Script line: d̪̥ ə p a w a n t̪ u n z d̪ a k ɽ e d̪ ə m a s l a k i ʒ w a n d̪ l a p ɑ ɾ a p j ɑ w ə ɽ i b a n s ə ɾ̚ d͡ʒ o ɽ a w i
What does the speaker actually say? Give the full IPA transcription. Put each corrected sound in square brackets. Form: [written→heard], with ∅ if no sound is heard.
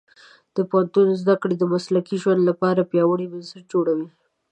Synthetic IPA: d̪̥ ə p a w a n t̪ u n z d̪ a k ɽ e d̪ ə m a s l a k i ʒ w a n d̪ l a p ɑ ɾ a p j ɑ w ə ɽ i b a n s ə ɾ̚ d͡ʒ o ɽ a w i